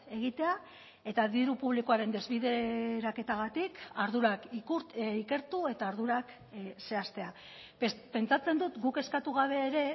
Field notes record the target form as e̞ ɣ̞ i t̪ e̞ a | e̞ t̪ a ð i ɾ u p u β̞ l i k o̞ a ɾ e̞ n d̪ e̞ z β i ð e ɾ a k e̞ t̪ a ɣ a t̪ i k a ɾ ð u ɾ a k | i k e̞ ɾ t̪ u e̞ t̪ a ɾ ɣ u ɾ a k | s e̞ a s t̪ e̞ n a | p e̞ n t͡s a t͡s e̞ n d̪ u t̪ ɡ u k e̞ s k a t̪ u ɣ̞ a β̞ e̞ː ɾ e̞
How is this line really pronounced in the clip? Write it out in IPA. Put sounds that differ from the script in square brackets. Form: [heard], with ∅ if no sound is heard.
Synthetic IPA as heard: e̞ ɣ̞ i t̪ e̞ a | e̞ t̪ a ð i ɾ u p u β̞ l i k o̞ a ɾ e̞ n d̪ e̞ z β i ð e ɾ a k e̞ t̪ a ɣ a t̪ i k a ɾ ð u ɾ a k | i k e̞ ɾ t̪ u e̞ t̪ a ɾ [ð] u ɾ a k | s e̞ a s t̪ e̞ [∅] a | p e̞ n t͡s a t͡s e̞ n d̪ u t̪ ɡ u k e̞ s k a t̪ u ɣ̞ a β̞ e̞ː ɾ e̞